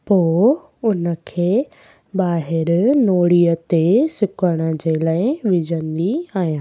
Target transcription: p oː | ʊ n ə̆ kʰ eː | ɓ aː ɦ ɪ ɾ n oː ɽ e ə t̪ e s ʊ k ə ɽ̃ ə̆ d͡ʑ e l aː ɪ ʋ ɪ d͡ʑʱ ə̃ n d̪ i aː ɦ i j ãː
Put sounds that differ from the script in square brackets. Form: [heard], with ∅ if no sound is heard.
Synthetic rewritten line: p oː | ʊ n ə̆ kʰ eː | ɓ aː ɦ ɪ ɾ n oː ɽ [i] ə t̪ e s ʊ k ə ɽ̃ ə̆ d͡ʑ e l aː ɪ ʋ ɪ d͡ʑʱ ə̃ n d̪ i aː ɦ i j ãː